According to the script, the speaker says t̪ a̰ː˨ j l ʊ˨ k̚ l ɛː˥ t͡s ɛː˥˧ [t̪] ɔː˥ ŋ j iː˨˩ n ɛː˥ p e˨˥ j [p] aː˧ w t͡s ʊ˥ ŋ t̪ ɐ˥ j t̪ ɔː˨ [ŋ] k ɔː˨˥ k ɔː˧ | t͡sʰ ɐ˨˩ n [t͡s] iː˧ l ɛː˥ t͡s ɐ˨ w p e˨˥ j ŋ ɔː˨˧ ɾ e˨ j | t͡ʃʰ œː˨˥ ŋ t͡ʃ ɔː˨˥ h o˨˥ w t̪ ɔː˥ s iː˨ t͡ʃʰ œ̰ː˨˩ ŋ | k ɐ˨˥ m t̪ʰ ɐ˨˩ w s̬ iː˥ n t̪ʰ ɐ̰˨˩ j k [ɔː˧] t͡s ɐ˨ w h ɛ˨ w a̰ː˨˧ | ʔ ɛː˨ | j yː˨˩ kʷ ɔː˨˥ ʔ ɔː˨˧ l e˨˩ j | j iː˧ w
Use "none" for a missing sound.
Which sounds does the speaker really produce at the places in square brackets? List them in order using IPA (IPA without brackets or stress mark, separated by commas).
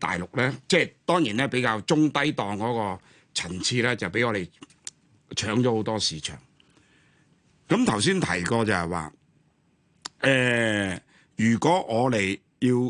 t̪, k, ŋ, t͡sʰ, ɔː˧